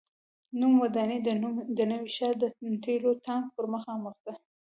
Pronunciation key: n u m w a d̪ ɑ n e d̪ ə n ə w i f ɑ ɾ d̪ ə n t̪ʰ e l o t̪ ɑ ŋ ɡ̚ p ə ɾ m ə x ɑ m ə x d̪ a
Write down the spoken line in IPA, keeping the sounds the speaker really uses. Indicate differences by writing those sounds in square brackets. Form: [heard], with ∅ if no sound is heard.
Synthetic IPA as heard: n u m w a d̪ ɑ n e d̪ ə n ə w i [ʃ] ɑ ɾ d̪ ə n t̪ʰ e l o t̪ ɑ ŋ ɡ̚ p ə ɾ m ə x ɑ m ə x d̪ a